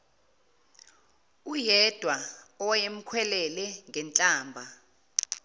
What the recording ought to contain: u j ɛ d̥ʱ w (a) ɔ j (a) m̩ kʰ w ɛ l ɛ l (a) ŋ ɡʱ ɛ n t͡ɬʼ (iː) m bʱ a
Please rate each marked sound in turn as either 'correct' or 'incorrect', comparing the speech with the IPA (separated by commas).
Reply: correct, incorrect, incorrect, incorrect